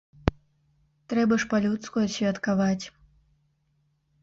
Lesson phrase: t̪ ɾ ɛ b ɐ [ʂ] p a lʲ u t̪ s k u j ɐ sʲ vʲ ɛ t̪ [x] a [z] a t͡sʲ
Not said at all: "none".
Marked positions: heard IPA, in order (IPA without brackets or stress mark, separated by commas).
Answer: ʂ, k, v